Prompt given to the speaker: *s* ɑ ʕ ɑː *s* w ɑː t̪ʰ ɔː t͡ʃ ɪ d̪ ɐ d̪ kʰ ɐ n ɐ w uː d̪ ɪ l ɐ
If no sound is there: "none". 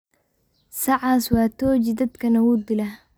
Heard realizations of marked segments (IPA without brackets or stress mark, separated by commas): s, s